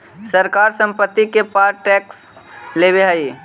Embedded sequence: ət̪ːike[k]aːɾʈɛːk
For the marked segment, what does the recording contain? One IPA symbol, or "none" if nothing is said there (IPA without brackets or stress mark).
p